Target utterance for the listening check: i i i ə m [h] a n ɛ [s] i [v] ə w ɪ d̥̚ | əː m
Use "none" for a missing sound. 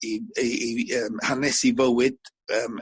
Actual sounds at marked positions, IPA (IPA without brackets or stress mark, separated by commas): h, s, v